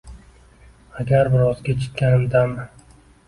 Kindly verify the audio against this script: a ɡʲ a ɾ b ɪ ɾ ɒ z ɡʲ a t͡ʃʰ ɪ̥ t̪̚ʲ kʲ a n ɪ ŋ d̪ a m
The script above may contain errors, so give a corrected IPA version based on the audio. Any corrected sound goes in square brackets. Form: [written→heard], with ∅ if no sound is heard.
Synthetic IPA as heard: a ɡʲ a ɾ b ɪ ɾ ɒ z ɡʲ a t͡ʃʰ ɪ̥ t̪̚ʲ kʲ a n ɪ [ŋ→m] d̪ a m